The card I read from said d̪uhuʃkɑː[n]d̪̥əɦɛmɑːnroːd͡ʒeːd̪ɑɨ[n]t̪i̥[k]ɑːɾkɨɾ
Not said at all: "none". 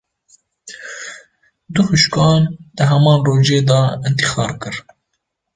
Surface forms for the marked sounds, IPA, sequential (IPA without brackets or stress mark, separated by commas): n, n, x